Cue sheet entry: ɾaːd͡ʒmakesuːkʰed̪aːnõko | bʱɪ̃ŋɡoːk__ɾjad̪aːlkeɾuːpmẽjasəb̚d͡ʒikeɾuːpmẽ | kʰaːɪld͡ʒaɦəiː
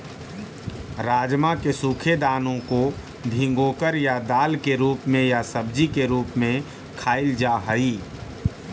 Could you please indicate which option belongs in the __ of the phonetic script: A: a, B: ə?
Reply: B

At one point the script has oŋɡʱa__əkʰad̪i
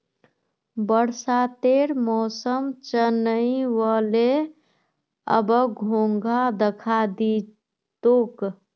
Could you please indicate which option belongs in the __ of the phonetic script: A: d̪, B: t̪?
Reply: A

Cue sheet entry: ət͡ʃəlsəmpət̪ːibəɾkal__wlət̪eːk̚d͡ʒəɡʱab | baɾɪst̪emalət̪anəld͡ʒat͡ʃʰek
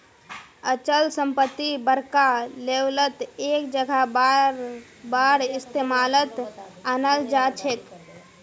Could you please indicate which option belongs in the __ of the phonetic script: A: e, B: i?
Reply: A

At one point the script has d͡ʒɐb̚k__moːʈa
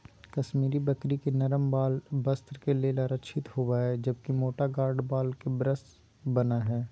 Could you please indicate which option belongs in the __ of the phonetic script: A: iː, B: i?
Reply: B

